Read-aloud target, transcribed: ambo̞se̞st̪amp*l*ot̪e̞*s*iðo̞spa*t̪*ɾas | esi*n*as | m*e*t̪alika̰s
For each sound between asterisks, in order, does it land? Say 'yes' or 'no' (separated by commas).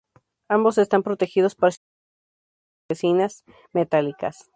no, no, no, yes, yes